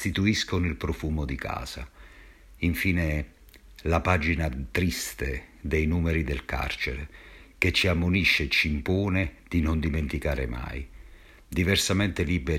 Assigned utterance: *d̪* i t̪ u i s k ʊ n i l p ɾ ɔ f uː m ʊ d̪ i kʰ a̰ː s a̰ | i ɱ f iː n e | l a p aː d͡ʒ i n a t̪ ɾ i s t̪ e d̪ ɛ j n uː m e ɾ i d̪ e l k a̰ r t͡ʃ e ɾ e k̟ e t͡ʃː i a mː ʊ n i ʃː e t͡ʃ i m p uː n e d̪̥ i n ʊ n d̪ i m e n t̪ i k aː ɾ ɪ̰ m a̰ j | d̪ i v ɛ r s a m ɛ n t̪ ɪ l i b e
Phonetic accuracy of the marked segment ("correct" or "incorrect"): incorrect